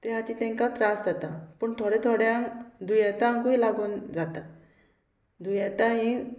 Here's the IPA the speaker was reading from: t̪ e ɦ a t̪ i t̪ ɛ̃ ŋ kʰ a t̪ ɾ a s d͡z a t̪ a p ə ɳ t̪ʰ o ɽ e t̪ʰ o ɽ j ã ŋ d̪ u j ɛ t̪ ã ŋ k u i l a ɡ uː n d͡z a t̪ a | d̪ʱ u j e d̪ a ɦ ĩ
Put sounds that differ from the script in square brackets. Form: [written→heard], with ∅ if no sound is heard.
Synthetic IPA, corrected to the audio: t̪ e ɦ a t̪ i t̪ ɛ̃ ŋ [kʰ→k] a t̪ ɾ a s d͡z a t̪ a p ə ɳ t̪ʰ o ɽ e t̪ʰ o ɽ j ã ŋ d̪ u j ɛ t̪ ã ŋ k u i l a ɡ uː n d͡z a t̪ a | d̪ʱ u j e [d̪→t̪] a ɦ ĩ